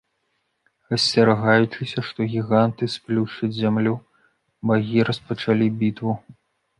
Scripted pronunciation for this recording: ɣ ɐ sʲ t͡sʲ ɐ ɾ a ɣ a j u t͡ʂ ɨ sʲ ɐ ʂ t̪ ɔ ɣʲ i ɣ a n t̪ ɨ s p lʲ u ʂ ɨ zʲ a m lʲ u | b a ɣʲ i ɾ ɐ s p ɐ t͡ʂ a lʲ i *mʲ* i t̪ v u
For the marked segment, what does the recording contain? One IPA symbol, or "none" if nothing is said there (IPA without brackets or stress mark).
bʲ